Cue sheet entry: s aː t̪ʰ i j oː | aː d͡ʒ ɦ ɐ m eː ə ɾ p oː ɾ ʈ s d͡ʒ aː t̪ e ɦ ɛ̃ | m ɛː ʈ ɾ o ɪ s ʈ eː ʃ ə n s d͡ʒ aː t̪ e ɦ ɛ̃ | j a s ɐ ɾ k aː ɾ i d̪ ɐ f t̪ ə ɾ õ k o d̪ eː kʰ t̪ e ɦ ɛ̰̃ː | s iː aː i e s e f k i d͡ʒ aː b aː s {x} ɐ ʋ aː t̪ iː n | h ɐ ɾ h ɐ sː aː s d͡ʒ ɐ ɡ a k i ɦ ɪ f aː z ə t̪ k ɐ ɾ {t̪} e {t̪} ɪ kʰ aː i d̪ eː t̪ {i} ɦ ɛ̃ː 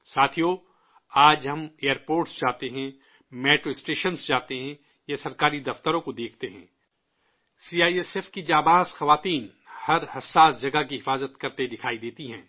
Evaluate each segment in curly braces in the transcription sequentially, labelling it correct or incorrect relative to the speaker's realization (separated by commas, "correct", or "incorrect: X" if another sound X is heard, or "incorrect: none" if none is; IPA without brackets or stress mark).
correct, correct, incorrect: d̪, correct